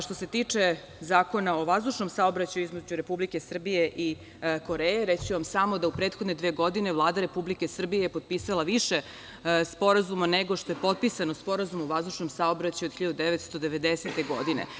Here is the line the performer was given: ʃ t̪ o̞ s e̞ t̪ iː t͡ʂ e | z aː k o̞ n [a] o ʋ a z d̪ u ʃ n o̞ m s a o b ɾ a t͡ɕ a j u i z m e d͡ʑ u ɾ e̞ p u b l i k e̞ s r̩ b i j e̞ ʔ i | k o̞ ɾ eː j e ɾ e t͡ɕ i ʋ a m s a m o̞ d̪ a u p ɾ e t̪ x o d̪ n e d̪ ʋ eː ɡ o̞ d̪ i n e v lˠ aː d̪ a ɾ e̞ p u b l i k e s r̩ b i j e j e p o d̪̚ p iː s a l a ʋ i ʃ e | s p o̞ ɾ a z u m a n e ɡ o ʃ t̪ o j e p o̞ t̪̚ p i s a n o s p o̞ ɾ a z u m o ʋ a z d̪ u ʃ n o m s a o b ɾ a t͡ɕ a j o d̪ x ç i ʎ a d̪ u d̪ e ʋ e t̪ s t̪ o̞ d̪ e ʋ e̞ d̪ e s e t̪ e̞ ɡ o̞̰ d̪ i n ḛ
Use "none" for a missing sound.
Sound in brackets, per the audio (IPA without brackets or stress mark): a